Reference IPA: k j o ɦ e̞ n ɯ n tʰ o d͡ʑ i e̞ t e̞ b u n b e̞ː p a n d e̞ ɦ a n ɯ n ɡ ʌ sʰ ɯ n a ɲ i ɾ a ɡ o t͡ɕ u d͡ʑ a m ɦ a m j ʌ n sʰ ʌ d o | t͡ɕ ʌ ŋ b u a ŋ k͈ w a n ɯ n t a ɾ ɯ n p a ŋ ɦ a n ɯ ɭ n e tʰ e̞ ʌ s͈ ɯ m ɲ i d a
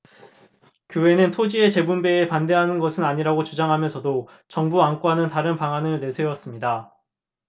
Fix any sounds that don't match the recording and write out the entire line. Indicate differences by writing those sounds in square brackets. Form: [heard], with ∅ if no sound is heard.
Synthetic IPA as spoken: k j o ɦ e̞ n ɯ n tʰ o d͡ʑ i e̞ [t͡ɕ] e̞ b u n b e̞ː p a n d e̞ ɦ a n ɯ n ɡ ʌ sʰ ɯ n a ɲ i ɾ a ɡ o t͡ɕ u d͡ʑ a [ŋ] ɦ a m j ʌ n sʰ ʌ d o | t͡ɕ ʌ ŋ b u a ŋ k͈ w a n ɯ n t a ɾ ɯ n p a ŋ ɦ a n ɯ ɭ n e [sʰ] e̞ ʌ s͈ ɯ m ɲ i d a